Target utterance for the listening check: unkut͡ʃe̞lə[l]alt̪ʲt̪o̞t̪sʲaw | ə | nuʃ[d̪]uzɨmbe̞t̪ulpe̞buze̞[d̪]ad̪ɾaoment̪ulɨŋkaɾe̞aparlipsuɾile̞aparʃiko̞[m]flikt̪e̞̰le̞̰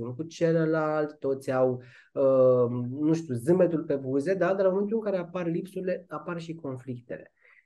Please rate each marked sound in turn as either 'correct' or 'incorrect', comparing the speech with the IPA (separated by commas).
correct, incorrect, correct, incorrect